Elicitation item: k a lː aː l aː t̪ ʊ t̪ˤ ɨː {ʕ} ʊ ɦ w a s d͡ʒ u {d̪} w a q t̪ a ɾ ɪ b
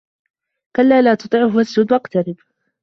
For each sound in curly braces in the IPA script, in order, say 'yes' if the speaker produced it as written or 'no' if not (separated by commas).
yes, yes